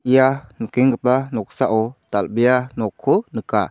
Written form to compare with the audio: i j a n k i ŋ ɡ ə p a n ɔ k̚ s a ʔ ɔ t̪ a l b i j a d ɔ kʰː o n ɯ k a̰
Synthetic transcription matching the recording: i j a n k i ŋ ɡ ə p a n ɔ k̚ s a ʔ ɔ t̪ a l b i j a n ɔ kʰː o n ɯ k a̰